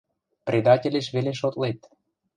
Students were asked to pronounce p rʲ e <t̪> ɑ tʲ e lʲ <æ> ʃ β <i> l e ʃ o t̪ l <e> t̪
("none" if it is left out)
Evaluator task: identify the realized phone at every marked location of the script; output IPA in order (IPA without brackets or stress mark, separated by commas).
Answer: d̪, e, e, e